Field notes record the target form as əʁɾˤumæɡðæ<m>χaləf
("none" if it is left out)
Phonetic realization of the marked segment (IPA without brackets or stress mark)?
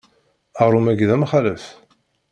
m